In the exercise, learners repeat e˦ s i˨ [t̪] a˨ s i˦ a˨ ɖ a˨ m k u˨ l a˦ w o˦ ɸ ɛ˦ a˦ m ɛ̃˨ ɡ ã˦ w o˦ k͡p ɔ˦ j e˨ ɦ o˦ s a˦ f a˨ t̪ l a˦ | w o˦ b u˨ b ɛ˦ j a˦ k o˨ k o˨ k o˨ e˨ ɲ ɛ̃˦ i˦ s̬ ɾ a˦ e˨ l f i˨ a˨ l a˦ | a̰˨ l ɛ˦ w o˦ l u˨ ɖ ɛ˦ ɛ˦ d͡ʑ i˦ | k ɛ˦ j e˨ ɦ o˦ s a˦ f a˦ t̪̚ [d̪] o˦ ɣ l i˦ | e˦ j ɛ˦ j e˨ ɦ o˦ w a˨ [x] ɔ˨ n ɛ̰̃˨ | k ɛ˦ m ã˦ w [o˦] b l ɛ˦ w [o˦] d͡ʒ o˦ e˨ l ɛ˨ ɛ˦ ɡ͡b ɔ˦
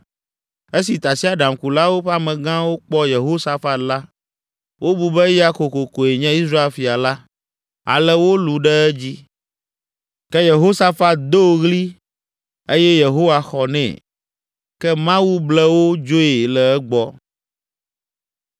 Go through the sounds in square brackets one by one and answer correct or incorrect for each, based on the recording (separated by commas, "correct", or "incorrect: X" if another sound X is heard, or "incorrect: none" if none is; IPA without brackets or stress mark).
correct, correct, correct, incorrect: u˦, correct